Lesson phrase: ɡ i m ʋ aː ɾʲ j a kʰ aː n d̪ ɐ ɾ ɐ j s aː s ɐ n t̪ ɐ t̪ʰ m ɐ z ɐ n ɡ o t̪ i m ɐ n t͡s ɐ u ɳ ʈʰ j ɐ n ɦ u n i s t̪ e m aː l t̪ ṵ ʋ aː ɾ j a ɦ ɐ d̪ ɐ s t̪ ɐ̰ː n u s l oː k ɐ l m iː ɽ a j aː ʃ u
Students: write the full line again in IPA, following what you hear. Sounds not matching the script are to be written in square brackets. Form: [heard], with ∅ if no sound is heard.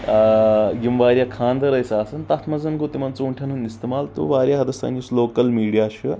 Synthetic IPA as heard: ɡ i m ʋ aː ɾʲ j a kʰ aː n d̪ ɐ ɾ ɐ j s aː s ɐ n t̪ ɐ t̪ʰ m ɐ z ɐ n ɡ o t̪ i m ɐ n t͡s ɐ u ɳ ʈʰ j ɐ n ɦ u n i s t̪ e m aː l t̪ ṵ ʋ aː ɾ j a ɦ ɐ d̪ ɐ s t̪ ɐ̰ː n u s l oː k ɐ l m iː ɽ [i] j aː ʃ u